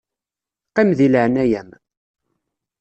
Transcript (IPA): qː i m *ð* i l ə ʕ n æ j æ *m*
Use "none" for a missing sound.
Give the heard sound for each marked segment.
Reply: ð, m

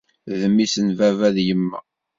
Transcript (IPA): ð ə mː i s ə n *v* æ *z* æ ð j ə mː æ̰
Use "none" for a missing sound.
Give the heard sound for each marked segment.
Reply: v, v

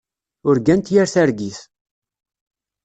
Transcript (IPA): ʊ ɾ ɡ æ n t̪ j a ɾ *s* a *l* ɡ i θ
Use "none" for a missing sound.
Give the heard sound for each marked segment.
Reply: θ, ɾ

